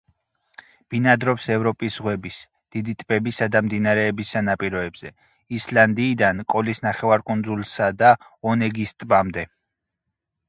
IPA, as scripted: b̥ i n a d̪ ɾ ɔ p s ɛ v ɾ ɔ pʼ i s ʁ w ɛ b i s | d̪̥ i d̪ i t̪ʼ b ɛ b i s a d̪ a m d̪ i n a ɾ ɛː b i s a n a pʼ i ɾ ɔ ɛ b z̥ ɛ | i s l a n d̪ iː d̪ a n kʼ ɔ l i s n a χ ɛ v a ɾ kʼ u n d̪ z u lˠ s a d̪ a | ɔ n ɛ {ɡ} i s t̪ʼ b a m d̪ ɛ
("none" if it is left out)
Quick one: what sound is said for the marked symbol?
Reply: ɡ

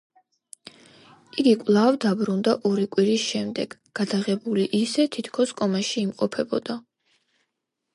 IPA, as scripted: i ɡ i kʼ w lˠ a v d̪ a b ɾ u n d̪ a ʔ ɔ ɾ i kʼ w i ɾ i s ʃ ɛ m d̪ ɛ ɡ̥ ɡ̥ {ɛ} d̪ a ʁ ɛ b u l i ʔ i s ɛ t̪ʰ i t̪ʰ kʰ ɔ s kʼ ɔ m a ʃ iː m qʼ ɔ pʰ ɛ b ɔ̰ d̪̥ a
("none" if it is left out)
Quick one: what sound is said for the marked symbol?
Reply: a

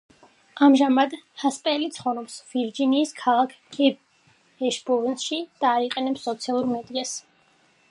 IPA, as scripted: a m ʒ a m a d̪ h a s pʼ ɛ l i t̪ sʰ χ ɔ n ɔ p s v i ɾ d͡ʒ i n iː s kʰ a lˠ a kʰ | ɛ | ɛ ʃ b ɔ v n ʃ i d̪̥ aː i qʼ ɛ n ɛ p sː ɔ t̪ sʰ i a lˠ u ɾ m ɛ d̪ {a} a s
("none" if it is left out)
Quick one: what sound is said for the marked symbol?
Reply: i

